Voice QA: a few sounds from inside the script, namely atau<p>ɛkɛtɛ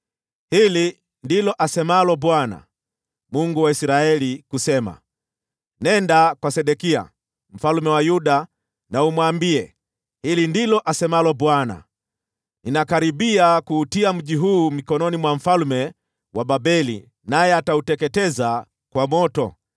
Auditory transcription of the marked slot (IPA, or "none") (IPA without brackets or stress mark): t